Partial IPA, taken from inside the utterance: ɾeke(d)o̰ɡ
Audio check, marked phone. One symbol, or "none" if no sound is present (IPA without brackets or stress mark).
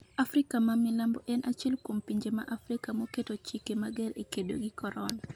d